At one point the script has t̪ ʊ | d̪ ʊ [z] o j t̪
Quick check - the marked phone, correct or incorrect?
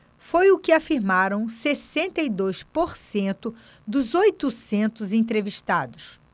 correct